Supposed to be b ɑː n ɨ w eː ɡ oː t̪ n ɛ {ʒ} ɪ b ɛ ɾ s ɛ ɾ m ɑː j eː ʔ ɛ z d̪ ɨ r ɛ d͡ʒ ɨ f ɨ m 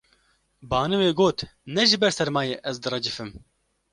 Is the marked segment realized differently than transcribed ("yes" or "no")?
no